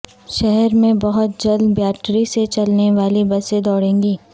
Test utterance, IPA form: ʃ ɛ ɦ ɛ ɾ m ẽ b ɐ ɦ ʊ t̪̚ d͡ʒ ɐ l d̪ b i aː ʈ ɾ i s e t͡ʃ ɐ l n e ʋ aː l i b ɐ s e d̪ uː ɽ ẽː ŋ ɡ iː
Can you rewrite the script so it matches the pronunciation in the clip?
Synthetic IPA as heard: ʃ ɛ ɦ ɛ ɾ m ẽ b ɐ ɦ ʊ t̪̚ d͡ʒ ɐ l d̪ b j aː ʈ ɾ i s e t͡ʃ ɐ l n e ʋ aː l i b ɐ s e d̪ ɔː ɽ ẽː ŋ ɡ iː